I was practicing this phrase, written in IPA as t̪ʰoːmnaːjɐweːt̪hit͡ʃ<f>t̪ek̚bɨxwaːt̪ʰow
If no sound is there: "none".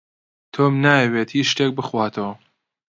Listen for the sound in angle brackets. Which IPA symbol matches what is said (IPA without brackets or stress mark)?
ʃ